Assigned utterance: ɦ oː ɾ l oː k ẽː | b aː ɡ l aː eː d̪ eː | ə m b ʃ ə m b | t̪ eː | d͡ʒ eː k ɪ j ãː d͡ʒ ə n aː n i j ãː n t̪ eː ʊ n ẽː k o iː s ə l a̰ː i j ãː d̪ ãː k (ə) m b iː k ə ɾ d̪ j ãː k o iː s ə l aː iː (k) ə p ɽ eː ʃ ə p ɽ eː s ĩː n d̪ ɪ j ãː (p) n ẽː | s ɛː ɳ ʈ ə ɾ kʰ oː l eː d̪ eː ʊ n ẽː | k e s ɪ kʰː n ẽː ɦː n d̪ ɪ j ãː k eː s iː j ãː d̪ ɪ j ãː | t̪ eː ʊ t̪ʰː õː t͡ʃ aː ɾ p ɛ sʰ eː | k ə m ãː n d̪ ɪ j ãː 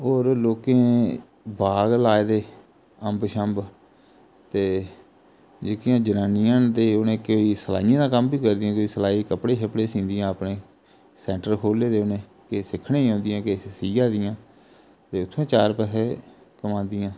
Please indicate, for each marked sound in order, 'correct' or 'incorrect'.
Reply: correct, correct, correct

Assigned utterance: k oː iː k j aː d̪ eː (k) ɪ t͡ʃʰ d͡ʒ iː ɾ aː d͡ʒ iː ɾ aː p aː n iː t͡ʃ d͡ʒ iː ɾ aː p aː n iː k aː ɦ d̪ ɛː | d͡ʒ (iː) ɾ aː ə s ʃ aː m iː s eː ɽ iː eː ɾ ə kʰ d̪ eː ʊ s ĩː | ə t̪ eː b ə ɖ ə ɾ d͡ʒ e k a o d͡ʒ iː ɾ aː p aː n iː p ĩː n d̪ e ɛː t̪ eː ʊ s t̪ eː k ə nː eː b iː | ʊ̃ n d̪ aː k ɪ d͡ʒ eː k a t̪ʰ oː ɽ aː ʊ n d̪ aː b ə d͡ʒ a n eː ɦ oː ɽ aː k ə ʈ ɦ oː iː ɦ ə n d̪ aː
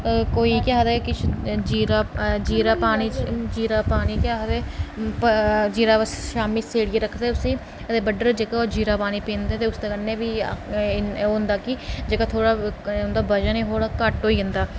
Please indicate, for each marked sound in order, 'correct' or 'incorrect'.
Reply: correct, correct

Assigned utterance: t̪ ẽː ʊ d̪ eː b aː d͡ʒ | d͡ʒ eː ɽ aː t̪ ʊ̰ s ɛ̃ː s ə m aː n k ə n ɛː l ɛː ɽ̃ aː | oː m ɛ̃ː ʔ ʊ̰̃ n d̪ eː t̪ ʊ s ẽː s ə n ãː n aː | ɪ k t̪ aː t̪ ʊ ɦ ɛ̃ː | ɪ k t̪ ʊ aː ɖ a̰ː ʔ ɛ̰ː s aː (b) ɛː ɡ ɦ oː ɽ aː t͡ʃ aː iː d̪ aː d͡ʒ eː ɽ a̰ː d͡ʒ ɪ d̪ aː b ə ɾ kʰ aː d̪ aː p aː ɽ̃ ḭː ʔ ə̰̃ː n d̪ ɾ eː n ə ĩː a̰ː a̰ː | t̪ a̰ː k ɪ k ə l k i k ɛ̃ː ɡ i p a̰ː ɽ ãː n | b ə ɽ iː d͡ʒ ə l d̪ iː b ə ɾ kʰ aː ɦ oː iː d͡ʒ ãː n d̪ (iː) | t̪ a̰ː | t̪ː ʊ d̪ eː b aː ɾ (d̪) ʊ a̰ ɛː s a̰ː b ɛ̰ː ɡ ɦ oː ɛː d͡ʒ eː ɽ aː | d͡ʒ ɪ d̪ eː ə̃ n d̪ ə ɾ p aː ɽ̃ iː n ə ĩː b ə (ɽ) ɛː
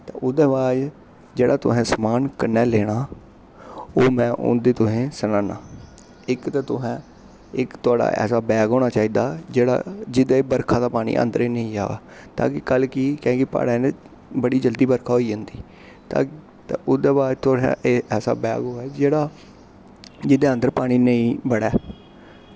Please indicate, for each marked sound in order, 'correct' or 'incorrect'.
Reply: correct, correct, incorrect: t̪, correct

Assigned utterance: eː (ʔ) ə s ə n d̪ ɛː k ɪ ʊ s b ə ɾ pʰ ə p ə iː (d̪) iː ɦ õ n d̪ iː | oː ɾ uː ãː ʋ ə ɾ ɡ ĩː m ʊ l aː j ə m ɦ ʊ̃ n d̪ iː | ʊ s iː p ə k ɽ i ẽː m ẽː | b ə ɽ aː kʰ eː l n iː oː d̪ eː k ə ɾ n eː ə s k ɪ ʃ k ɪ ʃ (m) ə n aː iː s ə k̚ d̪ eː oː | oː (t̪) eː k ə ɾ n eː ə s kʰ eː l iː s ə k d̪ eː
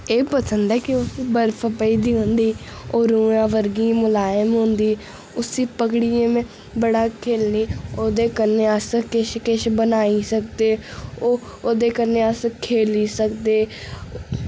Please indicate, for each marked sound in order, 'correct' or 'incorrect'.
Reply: incorrect: p, correct, incorrect: b, incorrect: d̪

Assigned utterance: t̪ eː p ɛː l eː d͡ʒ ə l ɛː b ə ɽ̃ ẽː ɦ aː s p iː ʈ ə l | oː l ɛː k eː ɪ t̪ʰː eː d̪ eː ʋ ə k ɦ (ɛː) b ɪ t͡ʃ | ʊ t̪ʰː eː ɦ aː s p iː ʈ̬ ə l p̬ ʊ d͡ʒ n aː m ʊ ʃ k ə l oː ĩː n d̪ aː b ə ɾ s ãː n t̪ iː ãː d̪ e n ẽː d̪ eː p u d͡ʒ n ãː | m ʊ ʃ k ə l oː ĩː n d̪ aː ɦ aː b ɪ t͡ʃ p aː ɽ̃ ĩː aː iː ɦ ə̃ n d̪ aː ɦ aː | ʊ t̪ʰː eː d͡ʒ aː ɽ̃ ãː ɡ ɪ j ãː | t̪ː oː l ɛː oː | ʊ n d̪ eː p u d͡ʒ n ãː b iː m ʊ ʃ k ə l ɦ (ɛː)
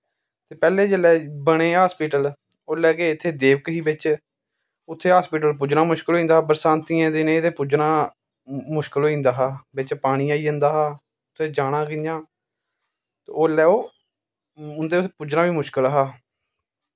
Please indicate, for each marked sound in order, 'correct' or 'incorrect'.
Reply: incorrect: iː, incorrect: aː

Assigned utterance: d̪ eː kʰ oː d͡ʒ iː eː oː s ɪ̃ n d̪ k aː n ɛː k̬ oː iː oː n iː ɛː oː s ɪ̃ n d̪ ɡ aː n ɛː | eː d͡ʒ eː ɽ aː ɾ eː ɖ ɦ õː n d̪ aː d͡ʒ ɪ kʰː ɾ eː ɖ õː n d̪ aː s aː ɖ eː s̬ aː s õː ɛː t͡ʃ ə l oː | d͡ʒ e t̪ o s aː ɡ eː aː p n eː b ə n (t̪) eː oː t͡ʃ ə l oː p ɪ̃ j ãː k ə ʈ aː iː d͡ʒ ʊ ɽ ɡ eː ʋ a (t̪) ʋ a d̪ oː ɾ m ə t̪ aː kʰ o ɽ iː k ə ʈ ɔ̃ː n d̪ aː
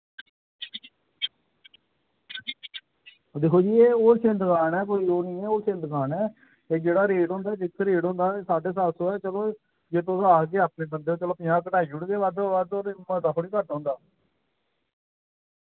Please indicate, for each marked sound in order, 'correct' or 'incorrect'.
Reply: incorrect: d̪, incorrect: d̪

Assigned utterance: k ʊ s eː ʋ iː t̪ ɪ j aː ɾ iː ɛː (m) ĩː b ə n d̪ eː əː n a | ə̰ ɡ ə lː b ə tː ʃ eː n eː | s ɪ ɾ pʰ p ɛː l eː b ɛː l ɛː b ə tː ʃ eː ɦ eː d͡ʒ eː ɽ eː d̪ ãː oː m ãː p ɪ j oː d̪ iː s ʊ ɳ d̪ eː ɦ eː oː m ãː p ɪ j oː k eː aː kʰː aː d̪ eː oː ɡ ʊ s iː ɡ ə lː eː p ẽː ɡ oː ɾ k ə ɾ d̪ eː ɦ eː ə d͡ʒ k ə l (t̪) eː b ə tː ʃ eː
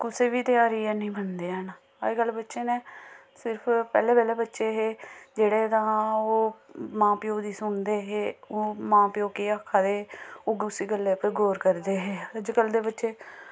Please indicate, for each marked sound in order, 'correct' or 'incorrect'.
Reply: incorrect: n, incorrect: d̪

